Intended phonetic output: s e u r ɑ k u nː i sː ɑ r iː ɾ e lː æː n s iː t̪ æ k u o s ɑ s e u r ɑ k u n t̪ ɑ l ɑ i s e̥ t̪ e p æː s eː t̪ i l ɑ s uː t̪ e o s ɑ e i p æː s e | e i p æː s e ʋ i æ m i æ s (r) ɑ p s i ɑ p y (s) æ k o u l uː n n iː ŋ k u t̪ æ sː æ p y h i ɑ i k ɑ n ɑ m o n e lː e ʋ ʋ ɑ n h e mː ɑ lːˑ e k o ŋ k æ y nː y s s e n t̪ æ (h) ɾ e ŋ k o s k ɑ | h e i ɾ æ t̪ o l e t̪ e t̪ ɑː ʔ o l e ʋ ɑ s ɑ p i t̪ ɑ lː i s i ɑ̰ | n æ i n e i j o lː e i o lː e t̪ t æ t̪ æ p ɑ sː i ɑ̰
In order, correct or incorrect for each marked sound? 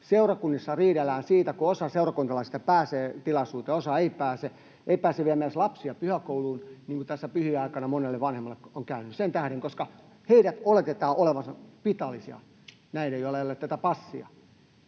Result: incorrect: l, incorrect: h, correct

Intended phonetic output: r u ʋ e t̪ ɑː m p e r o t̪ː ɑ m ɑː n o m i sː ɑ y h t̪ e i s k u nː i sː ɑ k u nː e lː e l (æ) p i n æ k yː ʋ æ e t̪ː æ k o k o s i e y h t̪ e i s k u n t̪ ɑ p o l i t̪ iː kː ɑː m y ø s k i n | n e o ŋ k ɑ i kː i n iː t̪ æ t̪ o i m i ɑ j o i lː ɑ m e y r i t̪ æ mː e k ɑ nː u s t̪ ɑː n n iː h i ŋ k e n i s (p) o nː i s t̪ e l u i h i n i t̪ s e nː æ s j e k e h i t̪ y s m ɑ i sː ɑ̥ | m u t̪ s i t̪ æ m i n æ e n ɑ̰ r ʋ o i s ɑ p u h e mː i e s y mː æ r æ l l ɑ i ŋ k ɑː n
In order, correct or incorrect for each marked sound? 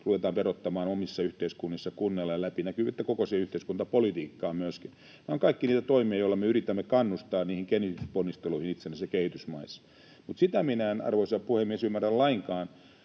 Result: correct, correct

